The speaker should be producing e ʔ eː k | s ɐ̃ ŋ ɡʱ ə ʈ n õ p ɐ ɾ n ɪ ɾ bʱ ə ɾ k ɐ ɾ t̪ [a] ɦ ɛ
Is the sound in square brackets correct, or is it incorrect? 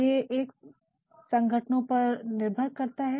correct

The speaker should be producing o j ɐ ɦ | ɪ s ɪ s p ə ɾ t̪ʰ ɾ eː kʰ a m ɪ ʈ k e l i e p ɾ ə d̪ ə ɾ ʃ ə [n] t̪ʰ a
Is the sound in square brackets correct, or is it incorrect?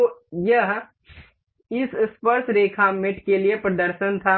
correct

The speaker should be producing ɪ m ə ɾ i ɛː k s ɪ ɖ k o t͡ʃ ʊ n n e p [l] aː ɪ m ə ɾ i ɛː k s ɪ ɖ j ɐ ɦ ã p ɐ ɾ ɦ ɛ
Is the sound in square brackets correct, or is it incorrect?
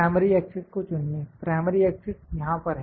incorrect: ɾ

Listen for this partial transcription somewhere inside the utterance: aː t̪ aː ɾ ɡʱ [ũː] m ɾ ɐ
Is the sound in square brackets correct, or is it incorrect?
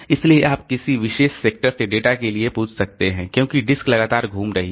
incorrect: uː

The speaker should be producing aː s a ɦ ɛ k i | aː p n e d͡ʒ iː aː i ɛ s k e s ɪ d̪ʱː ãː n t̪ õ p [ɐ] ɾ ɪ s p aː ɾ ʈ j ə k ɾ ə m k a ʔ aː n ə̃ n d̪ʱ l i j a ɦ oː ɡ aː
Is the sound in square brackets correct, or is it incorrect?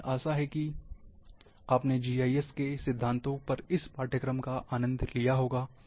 correct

